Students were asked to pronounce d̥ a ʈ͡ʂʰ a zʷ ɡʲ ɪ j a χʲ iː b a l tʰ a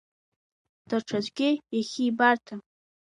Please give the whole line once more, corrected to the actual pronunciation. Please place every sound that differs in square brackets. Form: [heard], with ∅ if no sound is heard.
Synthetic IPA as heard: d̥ a ʈ͡ʂʰ a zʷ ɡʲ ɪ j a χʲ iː b a [r] tʰ a